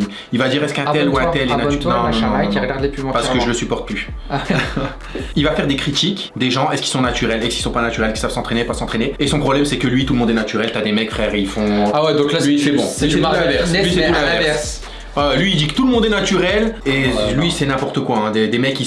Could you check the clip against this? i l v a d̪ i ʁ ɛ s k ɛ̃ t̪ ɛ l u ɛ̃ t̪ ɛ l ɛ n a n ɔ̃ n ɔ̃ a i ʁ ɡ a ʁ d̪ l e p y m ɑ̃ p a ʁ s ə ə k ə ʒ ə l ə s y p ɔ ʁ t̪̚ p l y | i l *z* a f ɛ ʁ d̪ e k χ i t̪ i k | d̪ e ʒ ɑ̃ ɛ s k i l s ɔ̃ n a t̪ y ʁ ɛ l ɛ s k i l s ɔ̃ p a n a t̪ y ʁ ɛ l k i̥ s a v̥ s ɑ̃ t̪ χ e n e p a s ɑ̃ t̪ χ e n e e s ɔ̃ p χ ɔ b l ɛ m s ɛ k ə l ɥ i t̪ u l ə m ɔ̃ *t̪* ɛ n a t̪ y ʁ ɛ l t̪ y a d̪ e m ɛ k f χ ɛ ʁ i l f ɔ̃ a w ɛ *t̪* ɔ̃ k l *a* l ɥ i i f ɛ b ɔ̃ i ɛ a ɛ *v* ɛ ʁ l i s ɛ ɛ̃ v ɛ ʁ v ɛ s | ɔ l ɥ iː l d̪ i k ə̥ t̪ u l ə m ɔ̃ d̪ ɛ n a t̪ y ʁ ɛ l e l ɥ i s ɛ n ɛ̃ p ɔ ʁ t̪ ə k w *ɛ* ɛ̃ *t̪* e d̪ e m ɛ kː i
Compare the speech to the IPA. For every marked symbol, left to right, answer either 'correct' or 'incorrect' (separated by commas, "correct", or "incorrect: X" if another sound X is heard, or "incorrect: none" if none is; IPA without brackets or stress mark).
incorrect: v, incorrect: d̪, incorrect: d̪, correct, correct, incorrect: a, incorrect: d̪